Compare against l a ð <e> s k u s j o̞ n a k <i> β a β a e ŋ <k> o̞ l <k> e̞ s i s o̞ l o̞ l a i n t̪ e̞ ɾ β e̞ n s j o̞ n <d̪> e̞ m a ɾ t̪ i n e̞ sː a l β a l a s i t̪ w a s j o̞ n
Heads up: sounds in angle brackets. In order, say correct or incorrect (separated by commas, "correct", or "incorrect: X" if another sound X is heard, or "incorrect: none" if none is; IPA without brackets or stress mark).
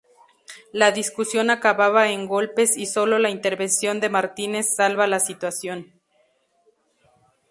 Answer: incorrect: i, incorrect: a, incorrect: ɡ, incorrect: p, correct